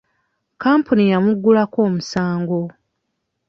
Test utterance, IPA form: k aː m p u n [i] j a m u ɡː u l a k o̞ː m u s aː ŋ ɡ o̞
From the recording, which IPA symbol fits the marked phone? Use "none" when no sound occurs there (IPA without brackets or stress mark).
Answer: i